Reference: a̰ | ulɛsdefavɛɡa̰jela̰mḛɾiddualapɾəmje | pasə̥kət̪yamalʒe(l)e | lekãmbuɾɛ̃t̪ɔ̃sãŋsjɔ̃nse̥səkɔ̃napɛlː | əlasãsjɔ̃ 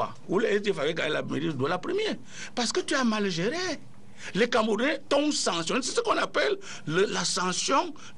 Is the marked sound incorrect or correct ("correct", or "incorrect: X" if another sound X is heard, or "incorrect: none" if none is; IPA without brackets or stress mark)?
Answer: incorrect: ɾ